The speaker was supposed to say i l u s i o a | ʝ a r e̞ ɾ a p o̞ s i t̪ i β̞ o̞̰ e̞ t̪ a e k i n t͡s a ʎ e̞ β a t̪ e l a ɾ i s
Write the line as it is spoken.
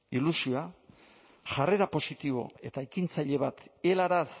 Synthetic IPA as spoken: i l u s i o a | ʝ a r e̞ ɾ a p o̞ s i t̪ i β̞ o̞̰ e̞ t̪ a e k i n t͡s a ʎ e̞ β a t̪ e l a ɾ a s